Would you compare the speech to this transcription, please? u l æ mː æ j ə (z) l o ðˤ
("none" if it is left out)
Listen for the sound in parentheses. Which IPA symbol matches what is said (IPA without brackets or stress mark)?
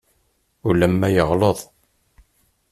ʁ